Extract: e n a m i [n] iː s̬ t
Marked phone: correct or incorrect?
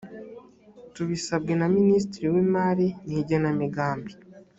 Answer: correct